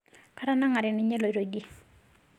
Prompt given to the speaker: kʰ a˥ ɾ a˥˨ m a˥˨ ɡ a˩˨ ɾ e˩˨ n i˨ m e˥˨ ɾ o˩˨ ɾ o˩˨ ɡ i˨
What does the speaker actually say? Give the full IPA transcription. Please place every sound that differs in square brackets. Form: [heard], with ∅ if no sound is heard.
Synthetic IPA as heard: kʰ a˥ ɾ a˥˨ [n] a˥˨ [ŋ] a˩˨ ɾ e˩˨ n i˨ [ɲ] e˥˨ [l] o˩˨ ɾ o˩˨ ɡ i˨

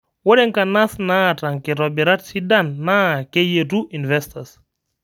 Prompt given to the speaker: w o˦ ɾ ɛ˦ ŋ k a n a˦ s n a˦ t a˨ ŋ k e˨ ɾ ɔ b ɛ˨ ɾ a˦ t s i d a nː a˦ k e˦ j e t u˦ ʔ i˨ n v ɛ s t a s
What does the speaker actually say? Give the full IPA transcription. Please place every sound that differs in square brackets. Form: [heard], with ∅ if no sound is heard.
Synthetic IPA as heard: w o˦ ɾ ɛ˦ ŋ k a n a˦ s n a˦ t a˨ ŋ k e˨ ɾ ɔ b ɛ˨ ɾ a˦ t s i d a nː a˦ k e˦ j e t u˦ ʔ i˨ n v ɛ s t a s

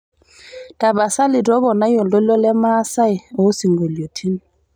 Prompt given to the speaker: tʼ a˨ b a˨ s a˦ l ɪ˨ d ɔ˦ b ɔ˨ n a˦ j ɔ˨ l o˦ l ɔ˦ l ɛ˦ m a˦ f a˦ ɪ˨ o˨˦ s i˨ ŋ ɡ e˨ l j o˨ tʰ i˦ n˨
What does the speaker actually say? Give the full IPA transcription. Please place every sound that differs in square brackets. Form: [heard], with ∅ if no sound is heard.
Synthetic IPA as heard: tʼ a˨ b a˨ s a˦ l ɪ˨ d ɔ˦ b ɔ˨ n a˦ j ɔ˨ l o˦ l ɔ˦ l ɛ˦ m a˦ [s] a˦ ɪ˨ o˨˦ s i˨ ŋ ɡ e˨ l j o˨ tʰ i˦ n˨

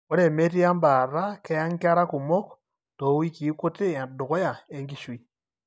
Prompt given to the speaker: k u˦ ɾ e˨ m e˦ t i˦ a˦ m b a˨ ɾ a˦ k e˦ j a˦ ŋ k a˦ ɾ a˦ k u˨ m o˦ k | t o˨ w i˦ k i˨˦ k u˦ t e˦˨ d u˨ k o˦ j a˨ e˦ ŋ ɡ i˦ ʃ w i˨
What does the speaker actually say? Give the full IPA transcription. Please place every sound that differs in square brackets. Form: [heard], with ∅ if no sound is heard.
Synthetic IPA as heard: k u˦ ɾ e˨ m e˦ t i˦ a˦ m b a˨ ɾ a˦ k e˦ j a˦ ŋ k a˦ ɾ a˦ k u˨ m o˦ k | t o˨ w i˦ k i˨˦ k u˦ t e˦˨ d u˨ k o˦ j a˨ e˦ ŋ ɡ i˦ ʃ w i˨

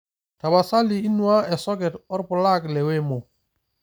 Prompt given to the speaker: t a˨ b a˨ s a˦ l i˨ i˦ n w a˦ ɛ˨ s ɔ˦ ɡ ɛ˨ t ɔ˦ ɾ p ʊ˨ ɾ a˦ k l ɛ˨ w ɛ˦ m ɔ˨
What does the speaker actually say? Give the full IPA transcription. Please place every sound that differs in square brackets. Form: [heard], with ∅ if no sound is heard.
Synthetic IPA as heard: t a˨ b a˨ s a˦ l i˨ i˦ n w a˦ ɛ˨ s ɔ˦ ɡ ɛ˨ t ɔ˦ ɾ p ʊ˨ [l] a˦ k l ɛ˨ w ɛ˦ m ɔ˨

